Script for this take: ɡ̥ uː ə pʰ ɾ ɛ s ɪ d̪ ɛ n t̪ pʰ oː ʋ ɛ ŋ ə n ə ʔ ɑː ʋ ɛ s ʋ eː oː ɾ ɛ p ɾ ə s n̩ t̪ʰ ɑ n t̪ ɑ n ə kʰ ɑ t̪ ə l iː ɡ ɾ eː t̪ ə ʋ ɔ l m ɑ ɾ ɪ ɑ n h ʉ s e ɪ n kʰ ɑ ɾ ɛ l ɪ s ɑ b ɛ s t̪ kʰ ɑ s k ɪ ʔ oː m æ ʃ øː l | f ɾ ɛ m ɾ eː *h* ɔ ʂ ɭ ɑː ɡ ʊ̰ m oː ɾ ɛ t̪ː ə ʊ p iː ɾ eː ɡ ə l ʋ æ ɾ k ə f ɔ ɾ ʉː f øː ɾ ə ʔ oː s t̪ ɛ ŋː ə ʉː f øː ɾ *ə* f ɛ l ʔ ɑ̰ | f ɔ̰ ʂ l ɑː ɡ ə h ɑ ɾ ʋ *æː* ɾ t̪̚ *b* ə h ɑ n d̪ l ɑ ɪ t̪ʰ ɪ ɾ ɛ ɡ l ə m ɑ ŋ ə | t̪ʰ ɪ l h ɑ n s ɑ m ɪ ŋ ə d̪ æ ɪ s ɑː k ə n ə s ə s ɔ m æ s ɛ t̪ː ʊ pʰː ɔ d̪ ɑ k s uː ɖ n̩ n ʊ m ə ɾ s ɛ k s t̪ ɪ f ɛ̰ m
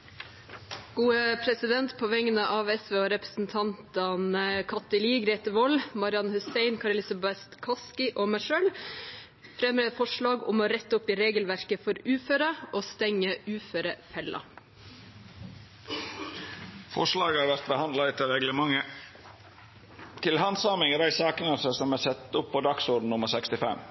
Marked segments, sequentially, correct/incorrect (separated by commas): incorrect, correct, incorrect, correct